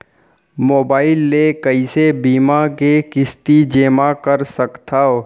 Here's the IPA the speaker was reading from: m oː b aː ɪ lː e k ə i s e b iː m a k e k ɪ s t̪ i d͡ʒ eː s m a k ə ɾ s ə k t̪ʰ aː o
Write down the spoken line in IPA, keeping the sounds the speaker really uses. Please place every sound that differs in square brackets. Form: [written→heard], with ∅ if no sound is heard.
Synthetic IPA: m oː b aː ɪ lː e k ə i s e b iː m a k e k ɪ s t̪ i d͡ʒ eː [s→∅] m a k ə ɾ s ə k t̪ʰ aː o